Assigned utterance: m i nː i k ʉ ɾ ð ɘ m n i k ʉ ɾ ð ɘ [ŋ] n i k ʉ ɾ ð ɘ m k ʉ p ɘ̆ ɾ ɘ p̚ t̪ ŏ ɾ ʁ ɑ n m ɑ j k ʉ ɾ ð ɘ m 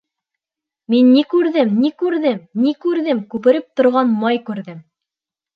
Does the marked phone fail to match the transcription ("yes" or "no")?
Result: yes